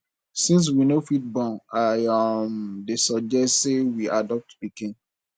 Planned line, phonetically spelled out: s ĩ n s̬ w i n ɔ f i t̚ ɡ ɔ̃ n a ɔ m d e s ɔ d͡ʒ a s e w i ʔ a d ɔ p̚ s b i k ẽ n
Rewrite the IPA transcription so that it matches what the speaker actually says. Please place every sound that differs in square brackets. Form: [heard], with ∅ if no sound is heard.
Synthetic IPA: s ĩ n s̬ w i n [o] f i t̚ [b] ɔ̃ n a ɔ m d e s ɔ d͡ʒ [ɛ] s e w i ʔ a d ɔ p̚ [t] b i k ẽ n